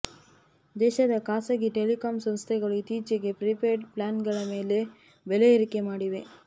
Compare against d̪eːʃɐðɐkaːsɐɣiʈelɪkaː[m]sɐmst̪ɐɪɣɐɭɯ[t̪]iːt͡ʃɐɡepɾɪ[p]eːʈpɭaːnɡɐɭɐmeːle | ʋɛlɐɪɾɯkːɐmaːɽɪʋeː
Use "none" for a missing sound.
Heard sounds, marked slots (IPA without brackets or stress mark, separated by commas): m, t̪, p